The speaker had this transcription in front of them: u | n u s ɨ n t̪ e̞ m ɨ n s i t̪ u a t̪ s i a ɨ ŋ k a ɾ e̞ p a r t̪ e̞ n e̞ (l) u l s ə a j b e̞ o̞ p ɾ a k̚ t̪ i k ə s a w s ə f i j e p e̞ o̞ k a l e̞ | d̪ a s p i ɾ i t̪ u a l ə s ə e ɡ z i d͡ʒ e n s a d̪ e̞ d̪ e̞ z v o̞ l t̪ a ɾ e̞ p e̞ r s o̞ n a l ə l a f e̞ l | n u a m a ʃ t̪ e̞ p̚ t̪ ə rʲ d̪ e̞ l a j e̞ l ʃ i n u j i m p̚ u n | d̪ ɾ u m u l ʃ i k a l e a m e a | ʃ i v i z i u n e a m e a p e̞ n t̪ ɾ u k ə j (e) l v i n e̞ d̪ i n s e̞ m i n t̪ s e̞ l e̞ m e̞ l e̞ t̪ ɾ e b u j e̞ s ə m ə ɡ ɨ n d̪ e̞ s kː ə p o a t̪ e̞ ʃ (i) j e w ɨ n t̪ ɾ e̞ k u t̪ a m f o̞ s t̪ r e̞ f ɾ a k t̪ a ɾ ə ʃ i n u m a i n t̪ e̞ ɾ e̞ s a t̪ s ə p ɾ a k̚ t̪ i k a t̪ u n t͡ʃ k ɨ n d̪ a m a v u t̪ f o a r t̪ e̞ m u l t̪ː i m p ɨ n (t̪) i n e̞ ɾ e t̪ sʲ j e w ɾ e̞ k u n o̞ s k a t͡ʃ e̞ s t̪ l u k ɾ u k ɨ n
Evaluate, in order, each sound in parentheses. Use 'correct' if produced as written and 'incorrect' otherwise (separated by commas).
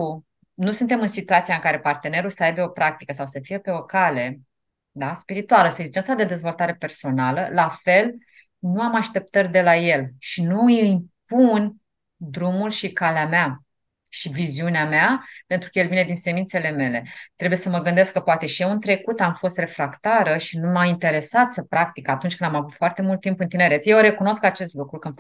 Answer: incorrect, correct, correct, correct